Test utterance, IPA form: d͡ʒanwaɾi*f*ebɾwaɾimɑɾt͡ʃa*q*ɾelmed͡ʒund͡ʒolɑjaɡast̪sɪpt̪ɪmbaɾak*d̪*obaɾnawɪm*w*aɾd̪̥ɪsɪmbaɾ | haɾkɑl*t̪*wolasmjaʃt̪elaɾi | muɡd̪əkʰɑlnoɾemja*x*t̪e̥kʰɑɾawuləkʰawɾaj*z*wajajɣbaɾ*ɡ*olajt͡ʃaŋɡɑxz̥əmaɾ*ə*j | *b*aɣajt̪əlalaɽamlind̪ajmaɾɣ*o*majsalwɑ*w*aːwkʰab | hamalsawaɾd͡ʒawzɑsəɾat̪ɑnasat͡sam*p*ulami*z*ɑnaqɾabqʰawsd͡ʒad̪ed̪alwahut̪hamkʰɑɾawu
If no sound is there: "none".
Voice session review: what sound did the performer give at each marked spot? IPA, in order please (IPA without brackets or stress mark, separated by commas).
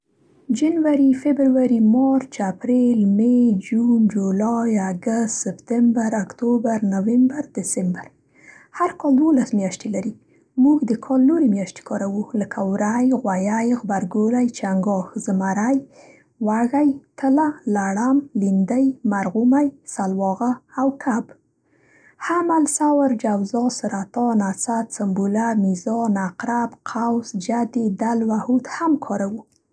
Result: f, p, t̪, b, d̪, ʃ, ɣ, ɡ, a, w, u, ɣ, b, z